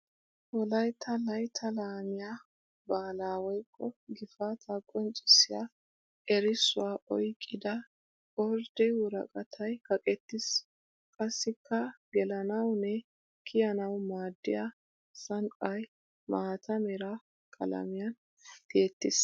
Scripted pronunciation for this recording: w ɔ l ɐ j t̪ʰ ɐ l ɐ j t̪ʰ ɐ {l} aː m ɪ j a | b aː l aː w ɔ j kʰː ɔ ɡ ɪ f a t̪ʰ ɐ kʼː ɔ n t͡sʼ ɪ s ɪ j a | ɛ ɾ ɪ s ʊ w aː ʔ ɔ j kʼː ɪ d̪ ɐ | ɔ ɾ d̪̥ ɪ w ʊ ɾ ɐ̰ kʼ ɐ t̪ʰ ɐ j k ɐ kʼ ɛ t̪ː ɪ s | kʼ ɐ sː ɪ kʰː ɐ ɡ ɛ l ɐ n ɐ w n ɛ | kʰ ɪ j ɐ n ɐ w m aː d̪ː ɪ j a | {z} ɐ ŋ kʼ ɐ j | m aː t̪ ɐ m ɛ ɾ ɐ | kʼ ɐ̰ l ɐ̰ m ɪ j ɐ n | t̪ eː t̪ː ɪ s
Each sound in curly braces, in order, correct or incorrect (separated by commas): correct, incorrect